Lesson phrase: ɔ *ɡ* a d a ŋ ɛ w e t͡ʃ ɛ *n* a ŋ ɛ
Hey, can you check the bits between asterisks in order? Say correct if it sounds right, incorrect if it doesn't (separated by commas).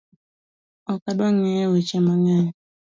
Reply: incorrect, incorrect